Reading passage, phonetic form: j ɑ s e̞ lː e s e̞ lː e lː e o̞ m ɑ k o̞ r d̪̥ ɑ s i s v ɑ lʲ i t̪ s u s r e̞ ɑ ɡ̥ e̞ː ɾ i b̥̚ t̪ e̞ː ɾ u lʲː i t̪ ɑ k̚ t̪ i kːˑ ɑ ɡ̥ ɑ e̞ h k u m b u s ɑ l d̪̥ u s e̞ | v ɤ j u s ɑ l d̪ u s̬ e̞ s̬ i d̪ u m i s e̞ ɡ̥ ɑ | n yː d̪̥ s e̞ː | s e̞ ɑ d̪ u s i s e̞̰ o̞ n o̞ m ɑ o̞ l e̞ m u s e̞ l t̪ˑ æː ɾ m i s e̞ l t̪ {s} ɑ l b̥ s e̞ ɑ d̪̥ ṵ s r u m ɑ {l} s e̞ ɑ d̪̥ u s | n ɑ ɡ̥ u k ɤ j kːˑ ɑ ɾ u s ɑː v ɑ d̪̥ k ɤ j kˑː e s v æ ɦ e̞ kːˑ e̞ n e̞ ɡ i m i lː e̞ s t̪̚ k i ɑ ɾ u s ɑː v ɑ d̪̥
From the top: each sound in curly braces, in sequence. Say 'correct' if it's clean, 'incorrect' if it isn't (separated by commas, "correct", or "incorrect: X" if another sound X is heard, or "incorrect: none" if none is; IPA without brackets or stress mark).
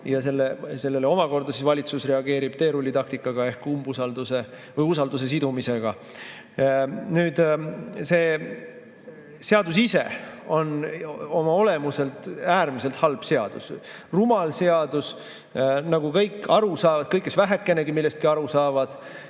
incorrect: h, correct